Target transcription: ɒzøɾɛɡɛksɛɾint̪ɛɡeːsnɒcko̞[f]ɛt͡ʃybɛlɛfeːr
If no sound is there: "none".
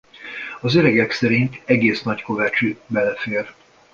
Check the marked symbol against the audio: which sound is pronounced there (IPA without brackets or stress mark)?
v